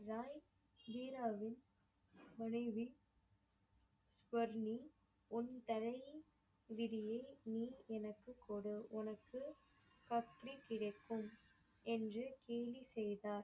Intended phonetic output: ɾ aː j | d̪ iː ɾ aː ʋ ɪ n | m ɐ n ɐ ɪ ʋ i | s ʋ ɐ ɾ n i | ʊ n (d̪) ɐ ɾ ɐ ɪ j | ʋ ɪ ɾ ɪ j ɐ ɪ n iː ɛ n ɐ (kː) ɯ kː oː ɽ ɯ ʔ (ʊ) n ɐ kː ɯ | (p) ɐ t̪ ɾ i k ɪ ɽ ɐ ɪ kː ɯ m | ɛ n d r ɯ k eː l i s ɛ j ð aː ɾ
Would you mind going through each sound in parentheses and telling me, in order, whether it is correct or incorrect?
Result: incorrect: t̪, correct, correct, incorrect: k

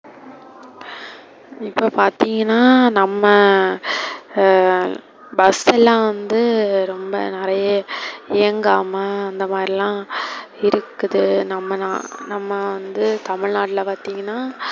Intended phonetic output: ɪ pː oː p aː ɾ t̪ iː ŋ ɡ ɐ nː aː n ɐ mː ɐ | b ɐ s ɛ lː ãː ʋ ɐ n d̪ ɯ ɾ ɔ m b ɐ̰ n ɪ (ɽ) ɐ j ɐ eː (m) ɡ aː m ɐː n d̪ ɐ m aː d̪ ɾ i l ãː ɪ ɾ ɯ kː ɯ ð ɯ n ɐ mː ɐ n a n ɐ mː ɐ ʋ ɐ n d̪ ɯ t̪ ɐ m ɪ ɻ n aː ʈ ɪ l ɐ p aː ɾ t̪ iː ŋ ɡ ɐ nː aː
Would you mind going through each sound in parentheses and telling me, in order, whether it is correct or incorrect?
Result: incorrect: ɾ, incorrect: ŋ

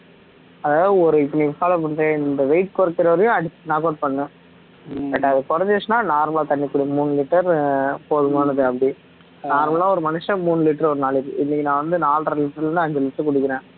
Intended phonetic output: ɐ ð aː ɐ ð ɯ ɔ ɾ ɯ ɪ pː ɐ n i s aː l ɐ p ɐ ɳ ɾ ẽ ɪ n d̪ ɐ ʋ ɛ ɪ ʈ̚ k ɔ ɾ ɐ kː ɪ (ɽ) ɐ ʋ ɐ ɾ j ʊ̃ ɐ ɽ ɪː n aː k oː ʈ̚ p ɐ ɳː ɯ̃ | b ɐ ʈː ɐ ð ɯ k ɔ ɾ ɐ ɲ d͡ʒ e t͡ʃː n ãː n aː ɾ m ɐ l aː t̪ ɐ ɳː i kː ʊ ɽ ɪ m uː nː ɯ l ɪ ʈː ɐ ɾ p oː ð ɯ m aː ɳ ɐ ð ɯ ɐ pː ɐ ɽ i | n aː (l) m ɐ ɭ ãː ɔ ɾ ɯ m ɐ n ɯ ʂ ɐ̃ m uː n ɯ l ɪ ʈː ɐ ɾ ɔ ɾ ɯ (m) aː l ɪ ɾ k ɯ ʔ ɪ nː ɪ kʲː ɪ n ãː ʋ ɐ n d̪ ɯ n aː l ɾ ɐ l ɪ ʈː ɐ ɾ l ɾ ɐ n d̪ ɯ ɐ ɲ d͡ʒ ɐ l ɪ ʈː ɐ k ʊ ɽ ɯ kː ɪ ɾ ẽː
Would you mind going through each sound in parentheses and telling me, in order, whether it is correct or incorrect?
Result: incorrect: ɾ, incorrect: ɾ, incorrect: n

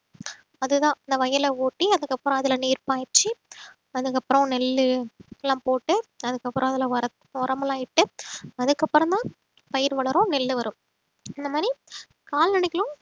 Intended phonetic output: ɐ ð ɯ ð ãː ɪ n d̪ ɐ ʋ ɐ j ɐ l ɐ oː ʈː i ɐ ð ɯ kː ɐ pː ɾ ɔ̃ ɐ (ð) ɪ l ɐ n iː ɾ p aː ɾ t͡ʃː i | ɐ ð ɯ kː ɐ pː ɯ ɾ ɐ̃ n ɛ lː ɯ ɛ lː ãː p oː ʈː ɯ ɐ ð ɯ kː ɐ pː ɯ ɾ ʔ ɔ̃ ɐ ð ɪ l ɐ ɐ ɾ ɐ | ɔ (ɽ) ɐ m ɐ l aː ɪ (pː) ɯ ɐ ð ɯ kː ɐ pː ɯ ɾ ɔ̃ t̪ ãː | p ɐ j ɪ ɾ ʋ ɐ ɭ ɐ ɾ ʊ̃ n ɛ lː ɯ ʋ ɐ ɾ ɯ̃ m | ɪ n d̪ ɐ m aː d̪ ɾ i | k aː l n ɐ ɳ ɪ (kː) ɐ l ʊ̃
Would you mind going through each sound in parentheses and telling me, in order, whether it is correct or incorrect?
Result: correct, incorrect: ɾ, incorrect: ʈː, correct

